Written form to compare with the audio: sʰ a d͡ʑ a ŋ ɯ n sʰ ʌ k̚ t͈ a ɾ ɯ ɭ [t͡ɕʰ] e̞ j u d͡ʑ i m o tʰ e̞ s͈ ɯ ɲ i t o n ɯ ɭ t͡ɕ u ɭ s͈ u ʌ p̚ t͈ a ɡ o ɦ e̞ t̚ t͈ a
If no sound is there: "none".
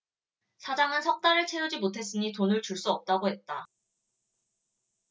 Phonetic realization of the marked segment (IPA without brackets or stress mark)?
t͡ɕʰ